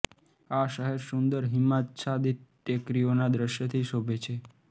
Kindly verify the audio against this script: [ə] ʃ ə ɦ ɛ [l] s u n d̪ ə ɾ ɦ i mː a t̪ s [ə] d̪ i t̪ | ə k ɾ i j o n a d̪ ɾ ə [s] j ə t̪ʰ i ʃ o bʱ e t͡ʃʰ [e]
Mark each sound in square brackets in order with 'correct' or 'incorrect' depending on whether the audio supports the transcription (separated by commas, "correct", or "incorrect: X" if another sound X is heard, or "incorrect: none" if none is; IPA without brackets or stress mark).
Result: incorrect: a, incorrect: ɾ, incorrect: a, incorrect: ʃ, correct